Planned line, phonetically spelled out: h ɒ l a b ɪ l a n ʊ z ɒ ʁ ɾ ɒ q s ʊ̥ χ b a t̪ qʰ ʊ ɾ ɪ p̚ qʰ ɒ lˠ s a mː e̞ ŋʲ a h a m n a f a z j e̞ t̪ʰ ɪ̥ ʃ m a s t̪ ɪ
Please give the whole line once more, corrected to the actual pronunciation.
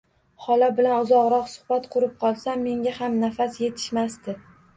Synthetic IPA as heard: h ɒ l a b ɪ l a n ʊ z ɒ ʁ ɾ ɒ q s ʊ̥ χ b a t̪ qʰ ʊ ɾ ɪ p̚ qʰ ɒ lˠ s a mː e̞ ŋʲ a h a m n a f a s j e̞ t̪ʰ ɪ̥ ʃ m a s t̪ ɪ